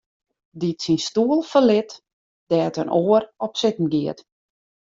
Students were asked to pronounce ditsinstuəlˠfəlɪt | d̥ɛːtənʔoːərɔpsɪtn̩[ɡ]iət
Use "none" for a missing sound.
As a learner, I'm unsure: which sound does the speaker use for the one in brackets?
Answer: ɡ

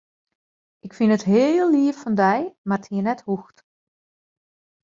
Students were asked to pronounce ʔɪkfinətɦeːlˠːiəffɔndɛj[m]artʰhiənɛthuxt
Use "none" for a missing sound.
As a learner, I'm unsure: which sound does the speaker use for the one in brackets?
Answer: m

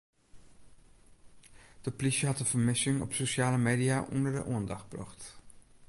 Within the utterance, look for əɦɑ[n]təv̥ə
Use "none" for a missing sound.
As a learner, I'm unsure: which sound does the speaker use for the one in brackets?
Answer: none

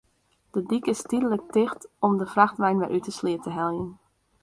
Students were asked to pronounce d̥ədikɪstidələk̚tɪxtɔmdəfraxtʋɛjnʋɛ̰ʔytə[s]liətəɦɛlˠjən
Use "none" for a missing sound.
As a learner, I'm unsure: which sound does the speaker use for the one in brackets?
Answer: s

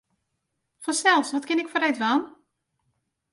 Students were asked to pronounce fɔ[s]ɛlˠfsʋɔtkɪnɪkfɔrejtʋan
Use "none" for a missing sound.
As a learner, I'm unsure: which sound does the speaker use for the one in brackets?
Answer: s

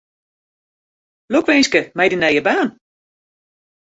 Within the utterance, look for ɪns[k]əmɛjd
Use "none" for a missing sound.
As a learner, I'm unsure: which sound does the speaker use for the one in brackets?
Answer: k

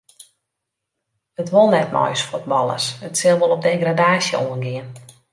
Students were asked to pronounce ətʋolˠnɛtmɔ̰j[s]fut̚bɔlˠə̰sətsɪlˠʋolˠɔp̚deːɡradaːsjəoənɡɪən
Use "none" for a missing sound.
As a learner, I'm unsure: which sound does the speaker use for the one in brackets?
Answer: s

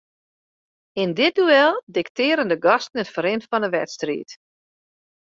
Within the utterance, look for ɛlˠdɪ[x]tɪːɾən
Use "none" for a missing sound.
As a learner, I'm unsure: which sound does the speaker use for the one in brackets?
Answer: k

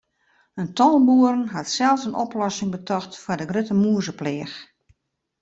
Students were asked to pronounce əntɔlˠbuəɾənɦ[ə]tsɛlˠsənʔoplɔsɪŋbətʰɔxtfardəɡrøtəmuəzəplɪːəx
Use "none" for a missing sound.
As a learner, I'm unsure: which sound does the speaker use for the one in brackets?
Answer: a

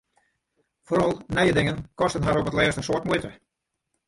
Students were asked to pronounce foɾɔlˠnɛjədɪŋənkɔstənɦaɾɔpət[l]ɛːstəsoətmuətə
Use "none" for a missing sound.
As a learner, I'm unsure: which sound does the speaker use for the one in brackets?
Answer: l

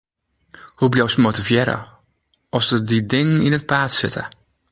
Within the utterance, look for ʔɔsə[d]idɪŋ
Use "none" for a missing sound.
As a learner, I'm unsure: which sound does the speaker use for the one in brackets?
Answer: d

